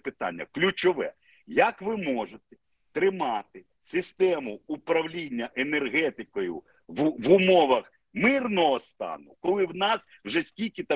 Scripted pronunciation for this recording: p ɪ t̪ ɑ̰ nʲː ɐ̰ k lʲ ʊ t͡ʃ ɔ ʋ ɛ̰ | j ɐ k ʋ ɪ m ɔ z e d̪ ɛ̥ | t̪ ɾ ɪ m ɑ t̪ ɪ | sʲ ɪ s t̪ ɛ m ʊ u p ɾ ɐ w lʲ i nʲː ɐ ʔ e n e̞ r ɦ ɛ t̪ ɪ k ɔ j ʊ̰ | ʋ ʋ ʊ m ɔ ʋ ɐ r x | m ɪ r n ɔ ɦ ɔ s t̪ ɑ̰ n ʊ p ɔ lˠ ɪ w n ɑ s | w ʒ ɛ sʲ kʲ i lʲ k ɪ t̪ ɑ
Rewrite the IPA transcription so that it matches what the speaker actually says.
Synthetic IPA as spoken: p ɪ t̪ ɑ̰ nʲː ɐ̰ k lʲ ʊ t͡ʃ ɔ ʋ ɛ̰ | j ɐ k ʋ ɪ m ɔ ʒ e t̪ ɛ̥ | t̪ ɾ ɪ m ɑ t̪ ɪ | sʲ ɪ s t̪ ɛ m ʊ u p ɾ ɐ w lʲ i nʲː ɐ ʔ e n e̞ r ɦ ɛ t̪ ɪ k ɔ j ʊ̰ | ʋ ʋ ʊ m ɔ ʋ ɐ x | m ɪ r n ɔ ɦ ɔ s t̪ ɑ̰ n ʊ k ɔ lˠ ɪ w n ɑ s | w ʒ ɛ sʲ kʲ i lʲ k ɪ t̪ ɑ